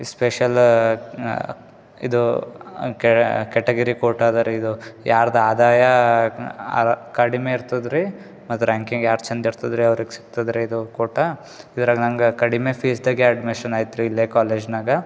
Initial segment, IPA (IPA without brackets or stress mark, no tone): s